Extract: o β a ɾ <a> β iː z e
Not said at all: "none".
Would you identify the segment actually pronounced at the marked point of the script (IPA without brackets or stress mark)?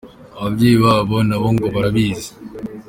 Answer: a